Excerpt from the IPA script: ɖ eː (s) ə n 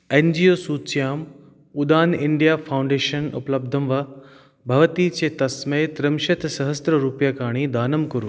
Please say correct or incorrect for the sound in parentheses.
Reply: incorrect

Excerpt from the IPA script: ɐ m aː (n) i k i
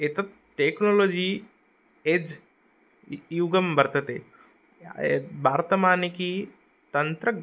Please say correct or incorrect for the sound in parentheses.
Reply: correct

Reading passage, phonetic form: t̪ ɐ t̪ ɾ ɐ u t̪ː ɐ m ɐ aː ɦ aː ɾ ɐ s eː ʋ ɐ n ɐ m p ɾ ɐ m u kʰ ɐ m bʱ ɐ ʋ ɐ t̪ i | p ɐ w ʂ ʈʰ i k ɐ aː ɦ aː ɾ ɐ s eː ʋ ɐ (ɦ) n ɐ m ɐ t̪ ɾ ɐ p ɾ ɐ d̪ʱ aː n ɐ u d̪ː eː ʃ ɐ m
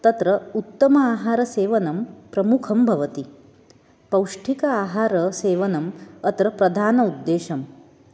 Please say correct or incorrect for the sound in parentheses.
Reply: incorrect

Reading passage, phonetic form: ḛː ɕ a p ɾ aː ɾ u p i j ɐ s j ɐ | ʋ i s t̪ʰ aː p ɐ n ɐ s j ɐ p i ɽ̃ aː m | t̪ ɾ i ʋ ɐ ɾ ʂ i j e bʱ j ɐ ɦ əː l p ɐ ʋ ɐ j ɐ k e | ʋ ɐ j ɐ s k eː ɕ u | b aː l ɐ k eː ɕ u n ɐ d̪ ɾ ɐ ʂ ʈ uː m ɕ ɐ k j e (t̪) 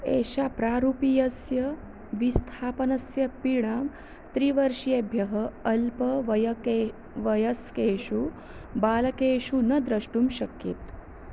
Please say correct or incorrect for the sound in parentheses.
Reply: correct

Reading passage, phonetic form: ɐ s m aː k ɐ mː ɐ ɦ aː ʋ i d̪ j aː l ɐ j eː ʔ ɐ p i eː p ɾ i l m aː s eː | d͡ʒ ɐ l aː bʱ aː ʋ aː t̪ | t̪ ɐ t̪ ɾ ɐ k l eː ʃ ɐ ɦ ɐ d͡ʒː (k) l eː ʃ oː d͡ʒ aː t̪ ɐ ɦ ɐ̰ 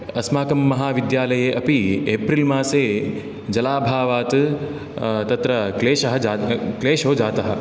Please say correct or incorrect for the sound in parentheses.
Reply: correct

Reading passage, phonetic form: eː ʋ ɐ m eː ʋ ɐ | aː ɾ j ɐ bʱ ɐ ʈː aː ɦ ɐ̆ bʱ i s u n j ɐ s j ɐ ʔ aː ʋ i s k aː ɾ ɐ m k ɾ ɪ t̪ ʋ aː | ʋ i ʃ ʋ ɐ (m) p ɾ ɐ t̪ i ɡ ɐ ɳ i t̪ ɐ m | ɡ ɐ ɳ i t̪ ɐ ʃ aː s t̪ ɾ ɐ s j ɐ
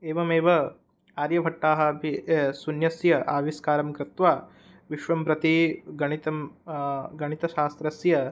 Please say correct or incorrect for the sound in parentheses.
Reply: correct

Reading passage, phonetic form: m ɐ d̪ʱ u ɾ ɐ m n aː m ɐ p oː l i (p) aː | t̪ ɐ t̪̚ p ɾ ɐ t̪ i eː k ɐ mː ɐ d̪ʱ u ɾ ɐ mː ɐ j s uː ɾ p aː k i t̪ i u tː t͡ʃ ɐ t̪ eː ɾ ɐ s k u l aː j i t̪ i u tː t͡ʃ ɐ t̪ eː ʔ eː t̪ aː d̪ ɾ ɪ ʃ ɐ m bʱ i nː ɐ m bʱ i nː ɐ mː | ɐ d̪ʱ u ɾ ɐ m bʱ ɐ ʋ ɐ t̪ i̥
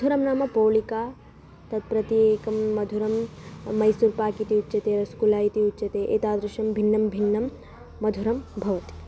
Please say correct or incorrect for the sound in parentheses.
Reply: incorrect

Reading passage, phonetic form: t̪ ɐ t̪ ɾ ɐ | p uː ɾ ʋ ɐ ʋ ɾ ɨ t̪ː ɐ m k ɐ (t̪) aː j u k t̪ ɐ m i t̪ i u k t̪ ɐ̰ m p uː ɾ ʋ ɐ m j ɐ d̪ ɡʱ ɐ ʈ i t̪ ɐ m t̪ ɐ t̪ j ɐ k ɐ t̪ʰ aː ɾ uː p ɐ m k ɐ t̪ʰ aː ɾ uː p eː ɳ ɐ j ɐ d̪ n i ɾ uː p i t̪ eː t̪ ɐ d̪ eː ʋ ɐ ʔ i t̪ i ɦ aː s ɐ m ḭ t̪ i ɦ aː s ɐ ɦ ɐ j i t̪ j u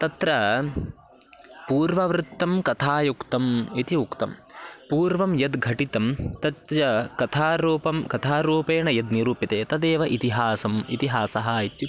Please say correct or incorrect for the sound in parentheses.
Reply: incorrect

